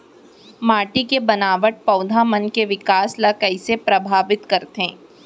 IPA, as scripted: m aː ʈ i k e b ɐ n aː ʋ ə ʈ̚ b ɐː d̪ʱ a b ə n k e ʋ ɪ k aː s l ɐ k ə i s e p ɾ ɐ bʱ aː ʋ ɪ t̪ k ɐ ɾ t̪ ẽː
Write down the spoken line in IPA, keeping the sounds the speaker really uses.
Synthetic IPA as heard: m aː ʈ i k e b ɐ n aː ʋ ə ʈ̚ p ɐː d̪ʱ a m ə n k e ʋ ɪ k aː s l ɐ k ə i s e p ɾ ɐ bʱ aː ʋ ɪ t̪ k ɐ ɾ t̪ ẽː